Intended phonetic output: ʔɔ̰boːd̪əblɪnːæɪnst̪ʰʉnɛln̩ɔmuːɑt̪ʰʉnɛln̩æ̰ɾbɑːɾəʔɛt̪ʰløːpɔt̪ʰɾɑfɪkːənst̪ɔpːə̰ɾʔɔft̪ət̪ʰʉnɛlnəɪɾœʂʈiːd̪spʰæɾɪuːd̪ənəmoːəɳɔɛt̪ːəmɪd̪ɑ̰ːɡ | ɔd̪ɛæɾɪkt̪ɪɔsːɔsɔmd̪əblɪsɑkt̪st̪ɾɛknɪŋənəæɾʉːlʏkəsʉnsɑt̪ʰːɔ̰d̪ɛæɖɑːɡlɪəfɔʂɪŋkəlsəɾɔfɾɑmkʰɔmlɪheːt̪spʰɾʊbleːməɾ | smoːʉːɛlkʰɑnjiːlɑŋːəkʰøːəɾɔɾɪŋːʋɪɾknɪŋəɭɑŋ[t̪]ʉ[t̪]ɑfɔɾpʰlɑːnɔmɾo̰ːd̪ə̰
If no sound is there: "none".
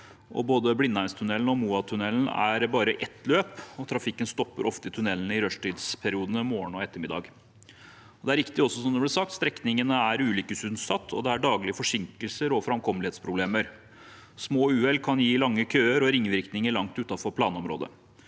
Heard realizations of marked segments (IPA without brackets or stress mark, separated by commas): t̪, t̪